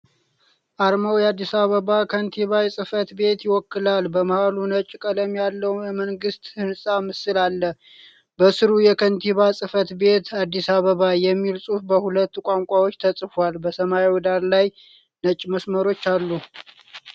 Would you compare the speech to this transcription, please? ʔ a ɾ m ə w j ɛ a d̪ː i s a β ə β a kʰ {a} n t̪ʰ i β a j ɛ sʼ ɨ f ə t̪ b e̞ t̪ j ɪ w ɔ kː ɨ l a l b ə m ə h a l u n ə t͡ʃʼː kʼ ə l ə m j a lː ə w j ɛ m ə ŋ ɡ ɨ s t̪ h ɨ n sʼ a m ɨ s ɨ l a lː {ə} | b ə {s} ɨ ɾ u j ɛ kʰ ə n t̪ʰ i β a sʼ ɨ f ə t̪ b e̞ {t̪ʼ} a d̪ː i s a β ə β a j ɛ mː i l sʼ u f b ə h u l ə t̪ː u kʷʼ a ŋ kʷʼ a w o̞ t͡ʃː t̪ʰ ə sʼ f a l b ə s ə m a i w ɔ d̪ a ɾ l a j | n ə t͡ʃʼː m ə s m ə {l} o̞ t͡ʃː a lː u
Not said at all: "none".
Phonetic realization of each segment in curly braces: ə, ə, s, t̪, ɾ

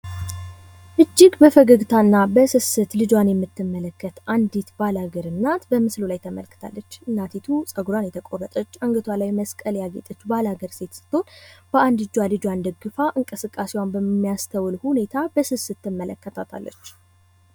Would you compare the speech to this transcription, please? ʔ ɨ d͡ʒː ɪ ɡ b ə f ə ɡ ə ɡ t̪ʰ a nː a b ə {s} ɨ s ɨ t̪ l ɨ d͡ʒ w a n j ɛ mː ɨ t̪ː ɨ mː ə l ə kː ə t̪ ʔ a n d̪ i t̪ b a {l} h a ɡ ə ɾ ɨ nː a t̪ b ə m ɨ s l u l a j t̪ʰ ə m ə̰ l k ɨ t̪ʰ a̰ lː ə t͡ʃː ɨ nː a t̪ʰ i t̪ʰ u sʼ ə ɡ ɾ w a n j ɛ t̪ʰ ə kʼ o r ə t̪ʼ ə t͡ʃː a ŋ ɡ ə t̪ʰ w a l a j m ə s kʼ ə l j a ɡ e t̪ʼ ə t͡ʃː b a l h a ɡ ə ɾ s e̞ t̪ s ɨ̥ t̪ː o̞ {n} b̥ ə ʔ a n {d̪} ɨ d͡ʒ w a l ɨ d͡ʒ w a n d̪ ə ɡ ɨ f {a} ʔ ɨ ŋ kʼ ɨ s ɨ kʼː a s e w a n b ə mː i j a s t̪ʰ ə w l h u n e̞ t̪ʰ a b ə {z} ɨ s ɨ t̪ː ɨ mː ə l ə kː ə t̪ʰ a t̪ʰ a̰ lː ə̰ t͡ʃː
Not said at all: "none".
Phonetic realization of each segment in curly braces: s, l, n, d̪, a, s

